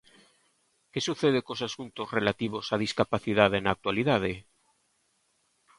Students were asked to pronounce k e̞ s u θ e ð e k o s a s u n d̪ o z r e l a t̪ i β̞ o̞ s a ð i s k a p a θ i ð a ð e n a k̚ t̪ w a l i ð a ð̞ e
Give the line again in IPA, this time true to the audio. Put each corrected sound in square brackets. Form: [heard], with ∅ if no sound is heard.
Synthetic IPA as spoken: k e̞ s u θ e ð e k o s a s u n [t̪] o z r e l a t̪ i β̞ o̞ s a ð i s k a p a θ i ð a ð e n a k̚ t̪ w a l i ð a ð̞ e